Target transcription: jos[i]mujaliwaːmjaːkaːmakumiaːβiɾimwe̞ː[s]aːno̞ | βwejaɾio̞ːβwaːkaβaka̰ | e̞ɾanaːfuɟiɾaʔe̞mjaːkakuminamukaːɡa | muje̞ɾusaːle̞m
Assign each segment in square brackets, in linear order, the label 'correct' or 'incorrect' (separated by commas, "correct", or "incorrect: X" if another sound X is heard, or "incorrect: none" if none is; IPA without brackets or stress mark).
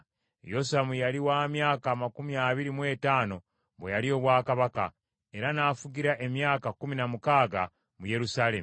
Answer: incorrect: a, incorrect: t